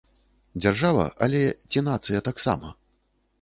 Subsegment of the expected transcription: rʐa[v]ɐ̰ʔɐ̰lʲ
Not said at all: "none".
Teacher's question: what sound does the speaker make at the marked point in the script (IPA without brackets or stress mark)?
v